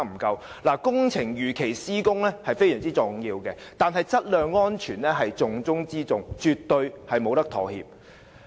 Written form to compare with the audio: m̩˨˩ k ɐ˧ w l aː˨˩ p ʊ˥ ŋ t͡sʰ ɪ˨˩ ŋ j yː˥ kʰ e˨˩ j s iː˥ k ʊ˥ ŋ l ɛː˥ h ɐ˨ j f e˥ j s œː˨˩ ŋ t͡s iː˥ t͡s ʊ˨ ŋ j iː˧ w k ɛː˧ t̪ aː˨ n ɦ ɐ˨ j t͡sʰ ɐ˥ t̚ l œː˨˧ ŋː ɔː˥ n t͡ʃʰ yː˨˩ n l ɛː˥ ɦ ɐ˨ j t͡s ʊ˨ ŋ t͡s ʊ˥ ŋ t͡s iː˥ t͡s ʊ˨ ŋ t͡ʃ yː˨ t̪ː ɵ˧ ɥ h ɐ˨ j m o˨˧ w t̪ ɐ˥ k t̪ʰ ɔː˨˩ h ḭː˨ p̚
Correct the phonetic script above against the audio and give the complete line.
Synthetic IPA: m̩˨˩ k ɐ˧ w l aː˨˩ k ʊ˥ ŋ t͡sʰ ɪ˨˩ ŋ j yː˨ kʰ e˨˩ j s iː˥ k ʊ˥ ŋ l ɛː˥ h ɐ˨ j f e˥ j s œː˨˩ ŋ t͡s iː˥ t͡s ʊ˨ ŋ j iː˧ w k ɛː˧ t̪ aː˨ n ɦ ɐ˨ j t͡s ɐ˥ t̚ l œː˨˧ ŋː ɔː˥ n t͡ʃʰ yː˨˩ n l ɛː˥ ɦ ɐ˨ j t͡s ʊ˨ ŋ t͡s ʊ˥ ŋ t͡s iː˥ t͡s ʊ˨ ŋ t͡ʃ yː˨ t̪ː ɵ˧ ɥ h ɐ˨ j m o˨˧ w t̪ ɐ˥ k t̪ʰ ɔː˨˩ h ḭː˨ p̚

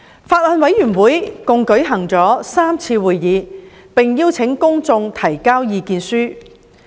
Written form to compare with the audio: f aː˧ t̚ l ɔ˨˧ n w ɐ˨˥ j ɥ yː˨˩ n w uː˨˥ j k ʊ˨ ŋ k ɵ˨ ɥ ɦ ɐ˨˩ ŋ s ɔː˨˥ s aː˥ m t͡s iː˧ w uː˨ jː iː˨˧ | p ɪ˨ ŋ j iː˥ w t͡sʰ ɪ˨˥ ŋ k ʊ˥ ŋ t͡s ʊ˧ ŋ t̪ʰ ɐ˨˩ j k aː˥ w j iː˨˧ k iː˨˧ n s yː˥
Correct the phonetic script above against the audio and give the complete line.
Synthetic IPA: f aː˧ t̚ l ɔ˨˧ n w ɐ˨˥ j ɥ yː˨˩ n w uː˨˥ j k ʊ˨ ŋ k ɵ˨˥ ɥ ɦ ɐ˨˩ ŋ t͡s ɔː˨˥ s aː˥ m t͡sʰ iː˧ w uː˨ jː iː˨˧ | p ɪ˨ ŋ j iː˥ w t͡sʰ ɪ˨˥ ŋ k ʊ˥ ŋ t͡s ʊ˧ ŋ t̪ʰ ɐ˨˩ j k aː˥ w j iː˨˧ k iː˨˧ n s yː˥

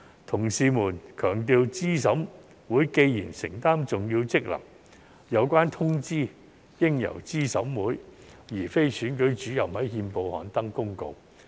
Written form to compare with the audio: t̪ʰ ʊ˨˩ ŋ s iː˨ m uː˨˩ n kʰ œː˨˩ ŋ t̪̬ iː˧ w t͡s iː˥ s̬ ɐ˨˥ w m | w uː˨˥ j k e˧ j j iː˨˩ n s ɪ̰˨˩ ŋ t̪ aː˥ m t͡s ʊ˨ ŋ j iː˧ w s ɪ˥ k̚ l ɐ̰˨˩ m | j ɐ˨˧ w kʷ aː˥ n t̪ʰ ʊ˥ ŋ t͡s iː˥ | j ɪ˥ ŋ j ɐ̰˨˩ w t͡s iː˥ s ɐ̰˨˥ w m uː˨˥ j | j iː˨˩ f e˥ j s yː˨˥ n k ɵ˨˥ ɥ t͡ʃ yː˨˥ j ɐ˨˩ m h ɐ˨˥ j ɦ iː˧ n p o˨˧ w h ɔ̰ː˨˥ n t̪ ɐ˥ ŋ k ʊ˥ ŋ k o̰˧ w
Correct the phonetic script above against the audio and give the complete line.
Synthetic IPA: t̪ʰ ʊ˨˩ ŋ s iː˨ m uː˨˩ n kʰ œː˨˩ ŋ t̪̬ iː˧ w t͡s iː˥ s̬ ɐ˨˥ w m | w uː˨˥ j k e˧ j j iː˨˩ n s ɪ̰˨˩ ŋ t̪ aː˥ m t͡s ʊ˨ ŋ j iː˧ w t͡s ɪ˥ k̚ l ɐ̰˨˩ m | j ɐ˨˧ w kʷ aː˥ n t̪ʰ ʊ˥ ŋ t͡s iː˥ | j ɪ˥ ŋ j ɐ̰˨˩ w t͡s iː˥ s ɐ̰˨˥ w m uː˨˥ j | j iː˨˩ f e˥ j s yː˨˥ n k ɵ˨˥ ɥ t͡ʃ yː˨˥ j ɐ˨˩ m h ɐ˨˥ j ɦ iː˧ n p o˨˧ w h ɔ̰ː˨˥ n t̪ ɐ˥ ŋ k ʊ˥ ŋ k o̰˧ w

